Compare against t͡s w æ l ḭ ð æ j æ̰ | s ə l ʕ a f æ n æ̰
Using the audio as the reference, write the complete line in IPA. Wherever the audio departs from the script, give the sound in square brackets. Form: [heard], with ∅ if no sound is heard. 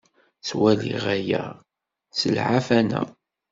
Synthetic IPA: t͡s w æ l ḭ [ʁ] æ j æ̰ | s ə l ʕ a f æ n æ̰

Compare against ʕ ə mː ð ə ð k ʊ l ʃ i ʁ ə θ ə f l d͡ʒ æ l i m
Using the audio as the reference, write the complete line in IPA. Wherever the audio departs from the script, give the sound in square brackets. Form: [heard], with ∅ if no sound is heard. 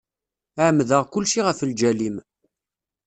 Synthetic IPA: ʕ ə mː ð ə [ʁ] k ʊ l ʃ i ʁ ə [f] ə [∅] l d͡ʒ æ l i m

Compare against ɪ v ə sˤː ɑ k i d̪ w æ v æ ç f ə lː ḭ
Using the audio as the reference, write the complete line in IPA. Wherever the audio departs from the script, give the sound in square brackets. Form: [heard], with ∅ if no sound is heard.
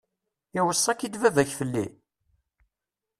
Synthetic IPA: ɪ [w] ə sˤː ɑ k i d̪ [v] æ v æ ç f ə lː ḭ

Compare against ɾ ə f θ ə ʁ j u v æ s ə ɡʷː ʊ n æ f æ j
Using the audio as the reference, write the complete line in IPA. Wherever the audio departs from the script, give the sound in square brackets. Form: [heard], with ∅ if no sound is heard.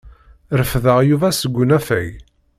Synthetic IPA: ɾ ə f [ð] ə ʁ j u v æ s ə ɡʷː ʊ n æ f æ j

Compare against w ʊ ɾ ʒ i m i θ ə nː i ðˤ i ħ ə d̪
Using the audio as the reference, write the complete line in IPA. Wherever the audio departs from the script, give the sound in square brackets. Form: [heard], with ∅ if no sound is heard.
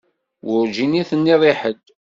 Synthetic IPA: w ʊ ɾ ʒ i [n] i θ ə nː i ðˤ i ħ ə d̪

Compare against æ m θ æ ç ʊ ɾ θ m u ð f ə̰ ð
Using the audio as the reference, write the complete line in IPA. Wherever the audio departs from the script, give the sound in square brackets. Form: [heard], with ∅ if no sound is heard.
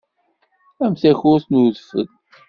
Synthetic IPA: æ m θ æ ç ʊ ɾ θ [n] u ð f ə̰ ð

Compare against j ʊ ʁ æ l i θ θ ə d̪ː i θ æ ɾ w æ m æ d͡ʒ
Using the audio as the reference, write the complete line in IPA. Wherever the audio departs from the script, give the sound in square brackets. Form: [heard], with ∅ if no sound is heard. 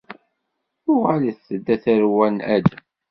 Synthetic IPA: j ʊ ʁ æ l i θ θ ə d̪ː [æ] θ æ ɾ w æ [n] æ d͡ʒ

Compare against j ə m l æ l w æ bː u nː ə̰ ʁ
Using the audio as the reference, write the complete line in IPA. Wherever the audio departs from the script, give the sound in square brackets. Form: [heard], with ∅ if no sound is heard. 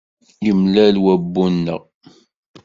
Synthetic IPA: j ə m l æ l w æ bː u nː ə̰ ʁ

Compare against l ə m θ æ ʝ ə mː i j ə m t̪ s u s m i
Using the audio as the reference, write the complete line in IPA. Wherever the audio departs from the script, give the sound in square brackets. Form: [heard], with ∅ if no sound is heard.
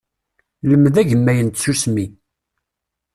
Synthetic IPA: l ə m [ð] æ ʝ ə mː [æ] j ə [n] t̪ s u s m i

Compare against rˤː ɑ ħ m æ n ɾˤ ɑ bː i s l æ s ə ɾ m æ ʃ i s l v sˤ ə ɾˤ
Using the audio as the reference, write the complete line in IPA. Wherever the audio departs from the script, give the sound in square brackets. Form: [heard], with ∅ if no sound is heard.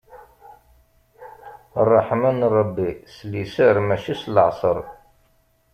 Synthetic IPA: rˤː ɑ ħ m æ n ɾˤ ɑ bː i s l [i] s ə ɾ m æ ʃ i s l [ʕ] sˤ ə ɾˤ

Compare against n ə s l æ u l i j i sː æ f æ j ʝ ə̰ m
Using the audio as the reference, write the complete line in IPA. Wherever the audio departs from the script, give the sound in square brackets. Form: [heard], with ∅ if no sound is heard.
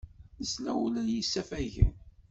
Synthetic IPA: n ə s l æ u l [æ] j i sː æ f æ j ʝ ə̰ [n]

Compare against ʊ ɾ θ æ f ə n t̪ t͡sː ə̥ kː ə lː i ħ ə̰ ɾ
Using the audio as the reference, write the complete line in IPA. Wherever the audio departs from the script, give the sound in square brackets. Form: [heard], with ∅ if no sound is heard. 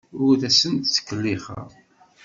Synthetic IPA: ʊ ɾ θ æ [s] ə n t̪ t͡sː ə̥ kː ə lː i [χ] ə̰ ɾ

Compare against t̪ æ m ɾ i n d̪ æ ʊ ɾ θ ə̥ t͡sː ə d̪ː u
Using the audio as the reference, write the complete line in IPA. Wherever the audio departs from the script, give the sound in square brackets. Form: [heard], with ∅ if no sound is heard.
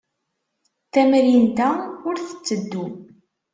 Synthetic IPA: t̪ æ m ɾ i n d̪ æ ʊ ɾ θ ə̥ t͡sː ə d̪ː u

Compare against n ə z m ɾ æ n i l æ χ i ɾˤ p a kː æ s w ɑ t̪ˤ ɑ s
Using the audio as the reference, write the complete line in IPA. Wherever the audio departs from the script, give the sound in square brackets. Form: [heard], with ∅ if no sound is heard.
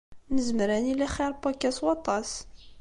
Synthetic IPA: n ə z m ɾ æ n i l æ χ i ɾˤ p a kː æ s w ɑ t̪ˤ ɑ s

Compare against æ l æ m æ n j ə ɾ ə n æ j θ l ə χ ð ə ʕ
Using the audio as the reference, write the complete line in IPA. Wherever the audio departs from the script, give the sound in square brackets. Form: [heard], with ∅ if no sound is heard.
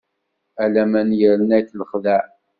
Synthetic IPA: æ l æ m æ n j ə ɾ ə n æ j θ l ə χ ð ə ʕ

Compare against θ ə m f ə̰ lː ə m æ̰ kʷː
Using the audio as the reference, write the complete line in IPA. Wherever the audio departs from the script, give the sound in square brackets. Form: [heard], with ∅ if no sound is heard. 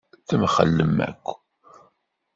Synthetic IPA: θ ə m [χ] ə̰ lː ə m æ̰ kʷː

